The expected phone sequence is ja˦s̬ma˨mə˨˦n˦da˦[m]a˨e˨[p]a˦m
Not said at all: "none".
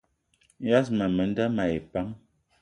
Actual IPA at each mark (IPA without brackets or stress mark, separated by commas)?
m, p